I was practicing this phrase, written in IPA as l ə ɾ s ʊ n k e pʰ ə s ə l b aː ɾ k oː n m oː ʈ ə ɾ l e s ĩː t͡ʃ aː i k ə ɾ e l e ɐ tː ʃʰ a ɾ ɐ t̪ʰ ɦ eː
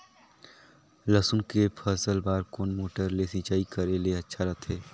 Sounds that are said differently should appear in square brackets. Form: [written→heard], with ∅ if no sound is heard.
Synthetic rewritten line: l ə [ɾ→∅] s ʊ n k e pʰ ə s ə l b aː ɾ k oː n m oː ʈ ə ɾ l e s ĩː t͡ʃ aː i k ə ɾ e l e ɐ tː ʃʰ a ɾ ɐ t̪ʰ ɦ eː